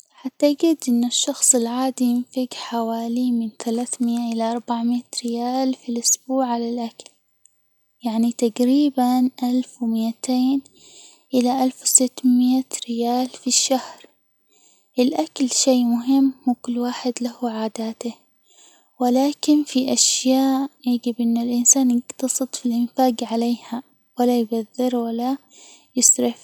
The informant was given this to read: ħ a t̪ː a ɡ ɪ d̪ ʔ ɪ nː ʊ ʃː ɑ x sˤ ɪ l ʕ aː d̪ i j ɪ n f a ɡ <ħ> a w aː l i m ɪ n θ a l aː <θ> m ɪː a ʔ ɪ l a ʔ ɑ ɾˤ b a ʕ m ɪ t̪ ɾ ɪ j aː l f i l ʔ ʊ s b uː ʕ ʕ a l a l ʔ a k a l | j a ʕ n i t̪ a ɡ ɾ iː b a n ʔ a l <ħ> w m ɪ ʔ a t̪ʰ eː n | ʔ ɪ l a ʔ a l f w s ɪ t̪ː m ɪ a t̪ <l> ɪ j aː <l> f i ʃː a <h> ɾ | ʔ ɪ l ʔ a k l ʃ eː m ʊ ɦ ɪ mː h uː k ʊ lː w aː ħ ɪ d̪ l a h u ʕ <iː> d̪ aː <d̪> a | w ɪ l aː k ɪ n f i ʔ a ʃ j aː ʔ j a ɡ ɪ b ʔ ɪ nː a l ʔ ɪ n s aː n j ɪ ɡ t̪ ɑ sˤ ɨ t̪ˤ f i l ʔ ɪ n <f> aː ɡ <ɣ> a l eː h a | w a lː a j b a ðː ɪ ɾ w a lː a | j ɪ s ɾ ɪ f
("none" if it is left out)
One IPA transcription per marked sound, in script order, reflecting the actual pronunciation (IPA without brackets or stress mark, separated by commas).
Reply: ħ, θ, f, ɾ, l, h, aː, t̪, f, ʕ